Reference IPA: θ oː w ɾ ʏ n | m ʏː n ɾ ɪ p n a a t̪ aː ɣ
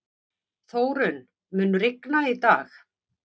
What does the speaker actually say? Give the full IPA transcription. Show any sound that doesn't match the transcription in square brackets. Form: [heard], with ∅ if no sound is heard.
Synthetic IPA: θ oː w ɾ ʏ n | m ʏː n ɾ ɪ [k] n a [i] t̪ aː [x]